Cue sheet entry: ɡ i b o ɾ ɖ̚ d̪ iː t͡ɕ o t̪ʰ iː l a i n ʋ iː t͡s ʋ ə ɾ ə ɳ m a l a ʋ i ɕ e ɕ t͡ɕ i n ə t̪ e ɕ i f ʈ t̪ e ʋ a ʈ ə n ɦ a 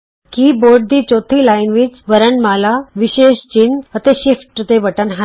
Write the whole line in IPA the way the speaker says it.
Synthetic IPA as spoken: k i b o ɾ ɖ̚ d̪ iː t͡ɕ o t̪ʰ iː l a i n ʋ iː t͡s ʋ ə ɾ ə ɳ m a l a ʋ i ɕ e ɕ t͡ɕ i n ə t̪ e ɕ i f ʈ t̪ e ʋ ə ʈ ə n ɦ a